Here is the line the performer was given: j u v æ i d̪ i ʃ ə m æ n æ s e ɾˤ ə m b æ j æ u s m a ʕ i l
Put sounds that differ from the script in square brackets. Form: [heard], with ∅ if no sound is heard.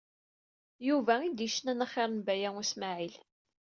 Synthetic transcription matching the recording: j u v æ i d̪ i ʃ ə [n] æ n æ [χ] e ɾˤ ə [n] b æ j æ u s m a ʕ i l

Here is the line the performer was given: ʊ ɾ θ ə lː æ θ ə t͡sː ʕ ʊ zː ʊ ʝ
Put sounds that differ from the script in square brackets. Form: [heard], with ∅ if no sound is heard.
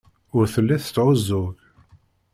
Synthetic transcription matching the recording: ʊ ɾ θ ə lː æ θ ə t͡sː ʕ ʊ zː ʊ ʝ

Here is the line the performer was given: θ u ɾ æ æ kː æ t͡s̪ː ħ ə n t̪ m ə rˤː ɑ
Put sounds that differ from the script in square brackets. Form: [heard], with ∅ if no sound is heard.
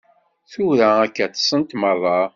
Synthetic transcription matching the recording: θ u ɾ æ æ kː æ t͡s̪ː [s] ə n t̪ m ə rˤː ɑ

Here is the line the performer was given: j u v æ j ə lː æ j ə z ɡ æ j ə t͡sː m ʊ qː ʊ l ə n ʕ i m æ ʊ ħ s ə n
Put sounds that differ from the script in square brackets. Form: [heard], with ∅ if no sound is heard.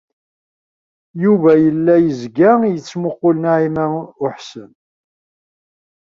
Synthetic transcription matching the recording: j u v æ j ə lː æ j ə z ɡ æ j ə t͡sː m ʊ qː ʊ l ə n ʕ i m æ ʊ ħ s ə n

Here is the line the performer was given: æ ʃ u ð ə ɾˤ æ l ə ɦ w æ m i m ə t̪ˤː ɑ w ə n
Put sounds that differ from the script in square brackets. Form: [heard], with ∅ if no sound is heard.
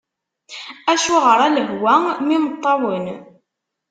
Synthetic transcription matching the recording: æ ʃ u [ʁ] ə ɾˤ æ l ə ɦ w æ m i m ə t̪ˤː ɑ w ə n

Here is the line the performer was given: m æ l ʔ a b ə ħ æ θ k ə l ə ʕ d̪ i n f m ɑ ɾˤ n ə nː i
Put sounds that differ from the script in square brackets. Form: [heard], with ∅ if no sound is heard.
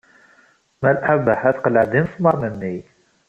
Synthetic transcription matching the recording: m æ l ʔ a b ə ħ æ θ [q] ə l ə ʕ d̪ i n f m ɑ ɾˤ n ə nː i

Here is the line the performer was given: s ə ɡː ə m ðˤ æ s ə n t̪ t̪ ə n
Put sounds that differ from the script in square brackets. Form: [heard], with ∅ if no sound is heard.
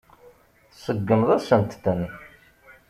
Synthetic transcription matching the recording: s ə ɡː ə m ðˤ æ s ə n t̪ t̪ ə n

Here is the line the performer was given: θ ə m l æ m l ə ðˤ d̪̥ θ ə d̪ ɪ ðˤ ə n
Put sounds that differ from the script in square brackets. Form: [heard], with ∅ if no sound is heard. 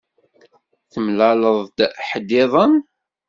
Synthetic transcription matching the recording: θ ə m l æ [∅] l ə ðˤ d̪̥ [ħ] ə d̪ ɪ ðˤ ə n

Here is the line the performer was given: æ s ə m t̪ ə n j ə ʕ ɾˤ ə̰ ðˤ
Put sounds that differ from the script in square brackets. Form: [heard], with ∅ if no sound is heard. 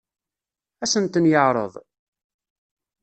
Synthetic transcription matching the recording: æ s ə [n] t̪ ə n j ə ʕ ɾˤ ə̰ ðˤ

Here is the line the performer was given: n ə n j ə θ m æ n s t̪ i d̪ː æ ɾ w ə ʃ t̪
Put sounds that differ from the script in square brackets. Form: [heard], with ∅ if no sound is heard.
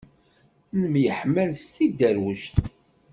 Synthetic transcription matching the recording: n ə [m] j ə [ħ] m æ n s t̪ i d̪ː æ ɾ w ə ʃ t̪

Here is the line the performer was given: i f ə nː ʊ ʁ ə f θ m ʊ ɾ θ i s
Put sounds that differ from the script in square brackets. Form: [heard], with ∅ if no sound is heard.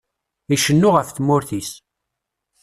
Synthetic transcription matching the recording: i [ʃ] ə nː ʊ ʁ ə f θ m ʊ ɾ θ i s

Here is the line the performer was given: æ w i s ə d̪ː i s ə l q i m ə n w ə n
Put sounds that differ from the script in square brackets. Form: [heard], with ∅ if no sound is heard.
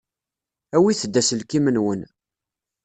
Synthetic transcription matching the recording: æ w i [θ] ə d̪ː [æ] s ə l [k] i m ə n w ə n

